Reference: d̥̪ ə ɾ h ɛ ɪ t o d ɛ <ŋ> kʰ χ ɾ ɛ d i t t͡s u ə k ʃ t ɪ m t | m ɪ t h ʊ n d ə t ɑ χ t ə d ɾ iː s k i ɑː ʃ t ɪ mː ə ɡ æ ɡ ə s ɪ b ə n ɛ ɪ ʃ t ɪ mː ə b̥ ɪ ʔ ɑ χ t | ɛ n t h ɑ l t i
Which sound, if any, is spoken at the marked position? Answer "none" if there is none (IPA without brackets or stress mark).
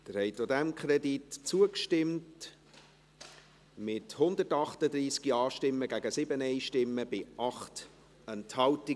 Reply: m